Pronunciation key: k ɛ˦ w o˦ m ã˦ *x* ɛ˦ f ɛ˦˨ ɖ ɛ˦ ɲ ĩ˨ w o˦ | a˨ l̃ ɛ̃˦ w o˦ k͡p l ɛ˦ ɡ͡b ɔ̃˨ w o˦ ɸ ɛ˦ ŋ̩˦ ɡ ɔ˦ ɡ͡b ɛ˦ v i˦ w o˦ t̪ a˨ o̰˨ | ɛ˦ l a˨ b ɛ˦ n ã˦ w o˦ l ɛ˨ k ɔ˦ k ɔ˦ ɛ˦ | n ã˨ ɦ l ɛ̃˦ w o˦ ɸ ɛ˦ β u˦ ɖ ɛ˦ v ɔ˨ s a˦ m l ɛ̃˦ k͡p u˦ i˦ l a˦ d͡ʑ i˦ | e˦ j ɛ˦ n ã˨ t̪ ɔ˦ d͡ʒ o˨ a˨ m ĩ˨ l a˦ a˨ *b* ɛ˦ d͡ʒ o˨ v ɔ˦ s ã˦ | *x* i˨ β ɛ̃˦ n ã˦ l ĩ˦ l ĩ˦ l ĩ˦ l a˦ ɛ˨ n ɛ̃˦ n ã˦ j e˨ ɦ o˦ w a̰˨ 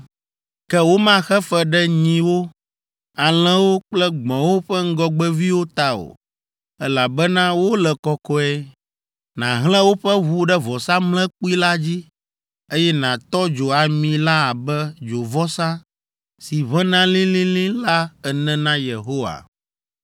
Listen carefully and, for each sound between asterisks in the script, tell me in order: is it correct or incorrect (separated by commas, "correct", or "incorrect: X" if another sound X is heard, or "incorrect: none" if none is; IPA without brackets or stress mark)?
correct, correct, incorrect: s